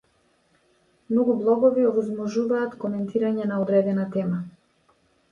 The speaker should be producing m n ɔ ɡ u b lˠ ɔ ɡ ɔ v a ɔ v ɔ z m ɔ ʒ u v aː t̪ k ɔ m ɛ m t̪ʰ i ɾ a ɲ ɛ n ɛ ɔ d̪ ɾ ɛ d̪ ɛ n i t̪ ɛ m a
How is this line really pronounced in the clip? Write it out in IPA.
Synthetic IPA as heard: m n ɔ ɡ u b lˠ ɔ ɡ ɔ v i ɔ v ɔ z m ɔ ʒ u v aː t̪ k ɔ m ɛ n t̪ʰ i ɾ a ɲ ɛ n a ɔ d̪ ɾ ɛ d̪ ɛ n a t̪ ɛ m a

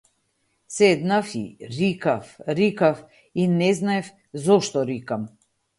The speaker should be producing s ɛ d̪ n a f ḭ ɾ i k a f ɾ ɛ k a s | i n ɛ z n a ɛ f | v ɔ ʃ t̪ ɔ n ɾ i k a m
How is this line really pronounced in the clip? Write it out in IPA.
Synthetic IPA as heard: s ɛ d̪ n a f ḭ ɾ i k a f ɾ i k a f | i n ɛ z n a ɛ f | z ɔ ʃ t̪ ɔ ɾ i k a m

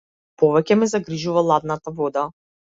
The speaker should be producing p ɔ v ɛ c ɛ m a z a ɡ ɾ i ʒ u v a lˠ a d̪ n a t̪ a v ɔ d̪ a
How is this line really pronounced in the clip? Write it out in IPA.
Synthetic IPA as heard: p ɔ v ɛ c ɛ m ɛ z a ɡ ɾ i ʒ u v a lˠ a d̪ n a t̪ a v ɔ d̪ a

